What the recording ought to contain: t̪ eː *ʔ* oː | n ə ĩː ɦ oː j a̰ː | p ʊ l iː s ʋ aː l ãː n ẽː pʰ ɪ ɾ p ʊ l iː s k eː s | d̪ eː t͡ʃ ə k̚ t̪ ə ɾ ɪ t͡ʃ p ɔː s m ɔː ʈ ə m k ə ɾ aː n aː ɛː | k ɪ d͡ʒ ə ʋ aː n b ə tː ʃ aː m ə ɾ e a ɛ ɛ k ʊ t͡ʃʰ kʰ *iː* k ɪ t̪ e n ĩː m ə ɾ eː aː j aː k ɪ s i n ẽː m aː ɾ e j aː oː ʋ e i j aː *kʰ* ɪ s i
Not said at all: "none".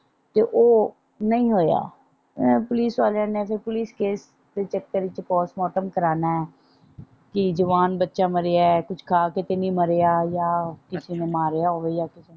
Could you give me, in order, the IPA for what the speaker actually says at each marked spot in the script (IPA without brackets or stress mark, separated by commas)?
ʔ, aː, k